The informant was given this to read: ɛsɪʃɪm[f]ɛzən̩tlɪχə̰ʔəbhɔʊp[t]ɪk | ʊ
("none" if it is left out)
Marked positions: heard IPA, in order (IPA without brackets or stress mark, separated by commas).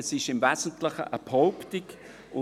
v, t